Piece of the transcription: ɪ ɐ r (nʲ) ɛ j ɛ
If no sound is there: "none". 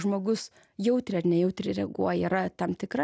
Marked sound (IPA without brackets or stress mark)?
nʲ